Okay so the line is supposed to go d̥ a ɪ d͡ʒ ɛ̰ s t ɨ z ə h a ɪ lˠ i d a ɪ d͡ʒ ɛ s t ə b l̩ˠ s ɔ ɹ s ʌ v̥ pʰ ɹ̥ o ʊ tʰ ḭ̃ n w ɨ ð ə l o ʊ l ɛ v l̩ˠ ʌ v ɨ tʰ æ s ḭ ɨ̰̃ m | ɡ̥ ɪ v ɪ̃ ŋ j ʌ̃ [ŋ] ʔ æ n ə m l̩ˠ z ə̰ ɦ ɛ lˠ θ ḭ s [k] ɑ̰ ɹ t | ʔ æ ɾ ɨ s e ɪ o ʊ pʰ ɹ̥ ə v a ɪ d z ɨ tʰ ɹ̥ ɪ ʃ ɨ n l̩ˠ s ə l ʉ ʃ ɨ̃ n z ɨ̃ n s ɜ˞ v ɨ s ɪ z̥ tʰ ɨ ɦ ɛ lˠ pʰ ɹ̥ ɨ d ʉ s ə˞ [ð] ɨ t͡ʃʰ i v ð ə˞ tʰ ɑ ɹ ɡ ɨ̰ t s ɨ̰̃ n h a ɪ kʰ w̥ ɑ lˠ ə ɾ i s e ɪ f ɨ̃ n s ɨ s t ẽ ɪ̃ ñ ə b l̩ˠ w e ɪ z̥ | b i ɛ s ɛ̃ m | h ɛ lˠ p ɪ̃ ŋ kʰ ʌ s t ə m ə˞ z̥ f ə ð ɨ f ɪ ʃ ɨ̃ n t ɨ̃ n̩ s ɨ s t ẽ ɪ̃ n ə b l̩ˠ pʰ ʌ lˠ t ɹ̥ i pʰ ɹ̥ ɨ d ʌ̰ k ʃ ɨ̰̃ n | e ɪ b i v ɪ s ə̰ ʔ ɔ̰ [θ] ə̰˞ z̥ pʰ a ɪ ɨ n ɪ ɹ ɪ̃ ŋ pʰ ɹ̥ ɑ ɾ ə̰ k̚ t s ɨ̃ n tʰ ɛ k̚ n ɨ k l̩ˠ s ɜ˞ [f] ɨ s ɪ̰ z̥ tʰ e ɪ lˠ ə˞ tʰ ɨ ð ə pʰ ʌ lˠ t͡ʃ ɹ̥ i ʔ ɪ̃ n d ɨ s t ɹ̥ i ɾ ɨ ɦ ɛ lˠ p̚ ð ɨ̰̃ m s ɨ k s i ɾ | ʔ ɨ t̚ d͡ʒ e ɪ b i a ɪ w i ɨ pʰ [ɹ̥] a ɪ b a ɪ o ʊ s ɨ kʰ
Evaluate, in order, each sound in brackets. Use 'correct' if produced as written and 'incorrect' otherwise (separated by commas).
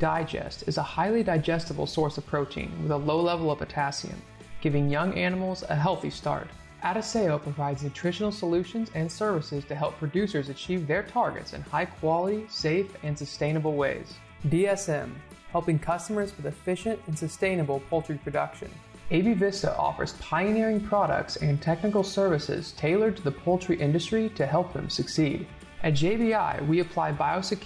correct, incorrect, incorrect, incorrect, incorrect, incorrect